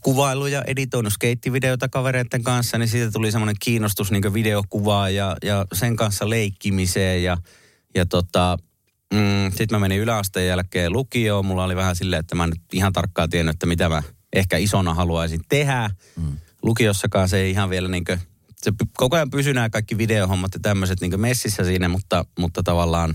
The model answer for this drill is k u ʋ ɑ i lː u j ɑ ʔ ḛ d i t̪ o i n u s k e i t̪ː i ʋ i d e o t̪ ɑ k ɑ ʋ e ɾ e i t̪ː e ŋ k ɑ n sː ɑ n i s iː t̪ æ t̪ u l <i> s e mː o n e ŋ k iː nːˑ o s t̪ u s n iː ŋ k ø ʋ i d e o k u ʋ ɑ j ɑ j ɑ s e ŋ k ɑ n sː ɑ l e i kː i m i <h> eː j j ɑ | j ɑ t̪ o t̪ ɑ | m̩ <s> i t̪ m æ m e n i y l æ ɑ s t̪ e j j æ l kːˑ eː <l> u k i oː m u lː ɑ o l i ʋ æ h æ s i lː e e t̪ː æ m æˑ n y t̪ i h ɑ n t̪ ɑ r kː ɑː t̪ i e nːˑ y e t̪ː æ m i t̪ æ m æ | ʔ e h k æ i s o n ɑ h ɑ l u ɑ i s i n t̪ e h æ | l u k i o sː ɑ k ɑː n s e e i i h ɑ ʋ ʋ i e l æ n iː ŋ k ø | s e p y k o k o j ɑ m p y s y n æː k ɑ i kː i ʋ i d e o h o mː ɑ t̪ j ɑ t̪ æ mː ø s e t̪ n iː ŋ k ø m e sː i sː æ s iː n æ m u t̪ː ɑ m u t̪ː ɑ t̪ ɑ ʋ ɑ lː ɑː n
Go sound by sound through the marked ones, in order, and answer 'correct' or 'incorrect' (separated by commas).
correct, incorrect, correct, correct